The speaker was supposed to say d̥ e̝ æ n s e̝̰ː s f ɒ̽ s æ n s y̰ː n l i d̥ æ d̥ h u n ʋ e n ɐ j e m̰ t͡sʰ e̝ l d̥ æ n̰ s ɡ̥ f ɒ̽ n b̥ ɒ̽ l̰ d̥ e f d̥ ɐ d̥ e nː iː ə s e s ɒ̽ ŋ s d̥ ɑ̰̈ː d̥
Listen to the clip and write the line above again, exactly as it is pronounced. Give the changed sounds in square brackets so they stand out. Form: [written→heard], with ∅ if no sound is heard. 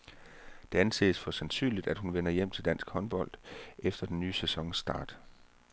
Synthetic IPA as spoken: d̥ e̝ æ n s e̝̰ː s f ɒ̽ s æ n s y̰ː n l i d̥ æ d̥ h u n ʋ e n ɐ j e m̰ t͡sʰ e̝ l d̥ æ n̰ s ɡ̥ [f→h] ɒ̽ n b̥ ɒ̽ l̰ d̥ e f d̥ ɐ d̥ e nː [iː→yː] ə s e s ɒ̽ ŋ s d̥ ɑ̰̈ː d̥

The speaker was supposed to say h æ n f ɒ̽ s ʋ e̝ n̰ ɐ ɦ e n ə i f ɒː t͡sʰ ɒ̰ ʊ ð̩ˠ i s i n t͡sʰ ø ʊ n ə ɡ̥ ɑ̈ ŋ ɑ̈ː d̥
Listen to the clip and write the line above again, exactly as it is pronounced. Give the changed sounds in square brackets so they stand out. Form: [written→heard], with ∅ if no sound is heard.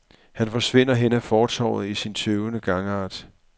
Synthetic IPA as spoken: h æ n f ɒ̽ s ʋ e̝ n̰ ɐ ɦ e n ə [i→æ] f ɒː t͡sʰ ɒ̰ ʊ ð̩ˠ i s i n t͡sʰ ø ʊ n ə ɡ̥ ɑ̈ ŋ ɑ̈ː d̥

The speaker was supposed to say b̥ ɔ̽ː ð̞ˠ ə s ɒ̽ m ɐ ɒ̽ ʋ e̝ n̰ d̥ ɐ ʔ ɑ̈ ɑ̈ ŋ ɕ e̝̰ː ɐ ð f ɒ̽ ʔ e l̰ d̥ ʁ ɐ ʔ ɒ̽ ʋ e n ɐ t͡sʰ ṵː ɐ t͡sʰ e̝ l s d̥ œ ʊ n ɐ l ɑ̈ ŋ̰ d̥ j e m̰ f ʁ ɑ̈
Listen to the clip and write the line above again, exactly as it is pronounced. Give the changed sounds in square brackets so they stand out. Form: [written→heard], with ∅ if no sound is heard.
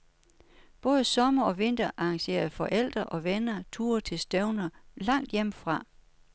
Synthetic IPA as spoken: b̥ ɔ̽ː ð̞ˠ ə s ɒ̽ m ɐ ɒ̽ ʋ e̝ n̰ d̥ ɐ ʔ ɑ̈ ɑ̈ ŋ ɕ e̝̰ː ɐ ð f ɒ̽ ʔ e l̰ d̥ ʁ ɐ ʔ ɒ̽ ʋ e n ɐ t͡sʰ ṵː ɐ t͡sʰ e̝ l s d̥ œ ʊ n ɐ l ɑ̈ ŋ̰ d̥ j e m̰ f ʁ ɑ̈

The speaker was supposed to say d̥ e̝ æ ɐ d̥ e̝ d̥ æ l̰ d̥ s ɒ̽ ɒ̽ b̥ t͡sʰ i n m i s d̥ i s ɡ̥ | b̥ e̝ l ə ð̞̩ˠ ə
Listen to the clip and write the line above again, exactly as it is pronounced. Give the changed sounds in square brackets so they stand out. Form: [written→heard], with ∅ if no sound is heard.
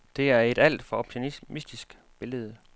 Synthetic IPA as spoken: d̥ e̝ æ ɐ [d̥→∅] e̝ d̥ æ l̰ d̥ [s→f] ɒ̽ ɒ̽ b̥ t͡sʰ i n m i s d̥ i s ɡ̥ | b̥ e̝ l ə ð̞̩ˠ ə

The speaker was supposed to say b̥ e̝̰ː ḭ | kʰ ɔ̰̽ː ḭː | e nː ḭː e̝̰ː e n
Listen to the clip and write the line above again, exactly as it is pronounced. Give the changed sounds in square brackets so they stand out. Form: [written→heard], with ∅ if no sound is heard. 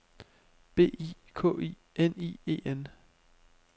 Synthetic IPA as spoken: b̥ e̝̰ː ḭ | kʰ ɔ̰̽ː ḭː | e [nː→n] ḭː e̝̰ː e n

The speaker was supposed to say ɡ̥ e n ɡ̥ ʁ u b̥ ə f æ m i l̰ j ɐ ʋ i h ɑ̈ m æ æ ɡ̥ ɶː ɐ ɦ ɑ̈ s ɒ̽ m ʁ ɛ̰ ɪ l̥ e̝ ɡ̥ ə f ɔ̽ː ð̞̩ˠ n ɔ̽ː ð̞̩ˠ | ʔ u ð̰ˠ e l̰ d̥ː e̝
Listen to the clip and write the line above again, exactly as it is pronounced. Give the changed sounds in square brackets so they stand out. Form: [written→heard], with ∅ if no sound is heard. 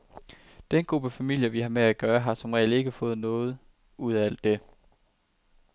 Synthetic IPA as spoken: [ɡ̥→d̥] e n ɡ̥ ʁ u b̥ ə f æ m i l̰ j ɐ ʋ i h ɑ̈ m [æ→e] æ ɡ̥ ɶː ɐ ɦ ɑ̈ s ɒ̽ m ʁ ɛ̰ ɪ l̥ e̝ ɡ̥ ə f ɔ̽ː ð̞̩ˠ n ɔ̽ː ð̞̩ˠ | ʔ u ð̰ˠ [e→æ] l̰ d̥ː e̝

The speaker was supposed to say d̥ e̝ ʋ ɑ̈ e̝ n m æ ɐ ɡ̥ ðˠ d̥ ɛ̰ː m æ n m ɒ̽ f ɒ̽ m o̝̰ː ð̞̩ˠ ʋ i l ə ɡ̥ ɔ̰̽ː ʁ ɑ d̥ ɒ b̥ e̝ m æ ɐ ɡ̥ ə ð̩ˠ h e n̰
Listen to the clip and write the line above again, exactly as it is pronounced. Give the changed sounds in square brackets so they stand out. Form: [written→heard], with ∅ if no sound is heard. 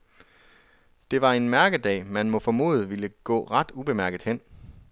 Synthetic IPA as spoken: d̥ e̝ ʋ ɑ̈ e̝ n m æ ɐ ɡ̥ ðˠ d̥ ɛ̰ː m æ n m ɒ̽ f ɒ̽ m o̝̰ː ð̞̩ˠ ʋ i l ə ɡ̥ ɔ̰̽ː ʁ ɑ d̥ [ɒ→u] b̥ e̝ m æ ɐ ɡ̥ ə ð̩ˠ h e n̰

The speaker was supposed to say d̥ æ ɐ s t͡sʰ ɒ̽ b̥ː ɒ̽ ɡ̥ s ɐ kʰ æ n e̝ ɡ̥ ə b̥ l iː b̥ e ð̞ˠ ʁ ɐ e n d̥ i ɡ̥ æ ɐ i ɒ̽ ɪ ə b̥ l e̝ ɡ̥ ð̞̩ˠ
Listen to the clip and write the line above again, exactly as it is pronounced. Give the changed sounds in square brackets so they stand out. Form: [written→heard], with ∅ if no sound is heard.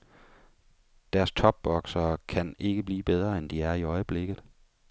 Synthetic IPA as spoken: d̥ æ ɐ s t͡sʰ ɒ̽ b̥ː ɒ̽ ɡ̥ s ɐ kʰ æ n e̝ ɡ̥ ə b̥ l iː b̥ e ð̞ˠ ʁ ɐ e n d̥ i [ɡ̥→∅] æ ɐ i ɒ̽ ɪ ə b̥ l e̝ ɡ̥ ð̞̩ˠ

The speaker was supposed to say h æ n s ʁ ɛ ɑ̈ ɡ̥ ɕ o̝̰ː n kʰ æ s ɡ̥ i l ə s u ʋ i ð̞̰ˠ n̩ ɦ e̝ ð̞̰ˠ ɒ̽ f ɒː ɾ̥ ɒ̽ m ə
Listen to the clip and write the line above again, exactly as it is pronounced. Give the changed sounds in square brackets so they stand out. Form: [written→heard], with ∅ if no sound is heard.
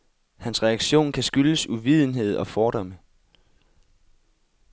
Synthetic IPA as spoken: h æ n s ʁ ɛ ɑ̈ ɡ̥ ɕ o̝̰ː n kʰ æ s ɡ̥ [i→y] l ə s u ʋ i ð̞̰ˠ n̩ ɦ e̝ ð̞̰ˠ ɒ̽ f ɒː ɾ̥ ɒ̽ m ə

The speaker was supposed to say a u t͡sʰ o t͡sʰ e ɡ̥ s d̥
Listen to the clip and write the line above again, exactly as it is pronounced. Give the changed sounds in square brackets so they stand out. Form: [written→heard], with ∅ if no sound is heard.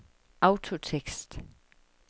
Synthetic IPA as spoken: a [u→ʊ] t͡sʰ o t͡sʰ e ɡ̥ s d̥

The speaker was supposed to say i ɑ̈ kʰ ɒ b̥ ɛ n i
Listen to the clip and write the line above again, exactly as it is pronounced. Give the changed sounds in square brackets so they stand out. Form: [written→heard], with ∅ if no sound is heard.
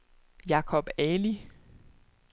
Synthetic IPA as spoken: [i→j] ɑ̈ kʰ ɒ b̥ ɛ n i

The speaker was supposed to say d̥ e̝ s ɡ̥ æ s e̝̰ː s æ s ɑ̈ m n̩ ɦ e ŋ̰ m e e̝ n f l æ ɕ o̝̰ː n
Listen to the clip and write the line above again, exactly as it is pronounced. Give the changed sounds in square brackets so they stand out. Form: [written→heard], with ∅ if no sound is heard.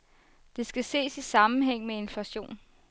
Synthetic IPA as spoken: d̥ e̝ s ɡ̥ æ s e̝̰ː s [æ→i] s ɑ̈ m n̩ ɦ e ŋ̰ m e e̝ n f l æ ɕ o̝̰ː n

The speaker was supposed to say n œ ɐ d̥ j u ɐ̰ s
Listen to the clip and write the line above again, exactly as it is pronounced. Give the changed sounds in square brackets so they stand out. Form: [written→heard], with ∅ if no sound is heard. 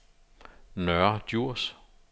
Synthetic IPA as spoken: n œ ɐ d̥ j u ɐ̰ s

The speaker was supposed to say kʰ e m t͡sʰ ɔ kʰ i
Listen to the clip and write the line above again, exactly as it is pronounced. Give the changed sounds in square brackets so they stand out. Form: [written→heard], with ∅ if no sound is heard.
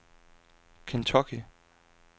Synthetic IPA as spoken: kʰ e [m→n] t͡sʰ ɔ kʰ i

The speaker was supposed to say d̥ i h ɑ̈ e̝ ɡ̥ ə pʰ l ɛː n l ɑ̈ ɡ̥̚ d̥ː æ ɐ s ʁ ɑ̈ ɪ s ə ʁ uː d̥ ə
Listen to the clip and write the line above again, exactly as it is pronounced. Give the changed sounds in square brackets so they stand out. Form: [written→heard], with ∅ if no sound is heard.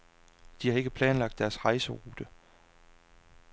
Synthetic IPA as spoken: d̥ i h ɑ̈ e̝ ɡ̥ ə pʰ l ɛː n l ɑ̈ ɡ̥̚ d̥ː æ ɐ s ʁ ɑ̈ ɪ s ə ʁ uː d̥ ə

